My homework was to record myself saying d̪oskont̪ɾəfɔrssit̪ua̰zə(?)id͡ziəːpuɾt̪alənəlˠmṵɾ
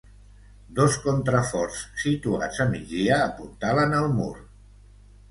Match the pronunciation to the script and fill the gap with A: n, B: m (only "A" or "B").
B